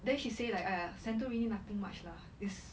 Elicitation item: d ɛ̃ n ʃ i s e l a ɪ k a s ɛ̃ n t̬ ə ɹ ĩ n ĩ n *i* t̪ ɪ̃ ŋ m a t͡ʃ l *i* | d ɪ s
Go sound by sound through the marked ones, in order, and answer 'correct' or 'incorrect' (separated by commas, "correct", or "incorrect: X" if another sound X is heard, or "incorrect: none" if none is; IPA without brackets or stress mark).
incorrect: a, incorrect: a